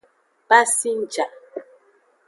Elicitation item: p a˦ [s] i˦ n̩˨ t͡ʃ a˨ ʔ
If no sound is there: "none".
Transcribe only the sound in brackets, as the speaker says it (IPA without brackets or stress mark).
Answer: s